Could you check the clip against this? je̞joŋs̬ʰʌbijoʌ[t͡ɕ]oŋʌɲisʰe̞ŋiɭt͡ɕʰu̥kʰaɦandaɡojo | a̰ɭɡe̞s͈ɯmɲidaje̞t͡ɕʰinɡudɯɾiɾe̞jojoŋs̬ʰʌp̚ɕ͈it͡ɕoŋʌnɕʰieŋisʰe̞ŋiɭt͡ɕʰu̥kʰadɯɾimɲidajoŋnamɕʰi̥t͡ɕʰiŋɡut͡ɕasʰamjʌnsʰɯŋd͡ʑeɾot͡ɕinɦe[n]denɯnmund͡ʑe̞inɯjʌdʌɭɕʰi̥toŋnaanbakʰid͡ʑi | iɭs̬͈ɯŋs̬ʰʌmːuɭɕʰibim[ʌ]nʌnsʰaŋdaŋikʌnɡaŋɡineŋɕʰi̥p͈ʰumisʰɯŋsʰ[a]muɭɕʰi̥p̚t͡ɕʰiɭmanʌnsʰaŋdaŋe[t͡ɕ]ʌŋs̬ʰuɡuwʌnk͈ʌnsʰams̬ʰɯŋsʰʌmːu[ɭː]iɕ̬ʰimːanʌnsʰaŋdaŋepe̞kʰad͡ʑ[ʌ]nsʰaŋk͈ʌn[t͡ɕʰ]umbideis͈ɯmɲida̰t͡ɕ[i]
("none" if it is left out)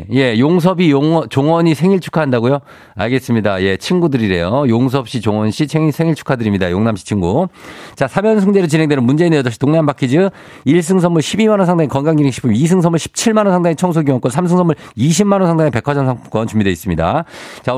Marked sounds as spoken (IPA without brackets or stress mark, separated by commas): t͡ɕ, ŋ, a, ʌ, t͡ɕʰ, ɭ, ʌ, t͡ɕ, a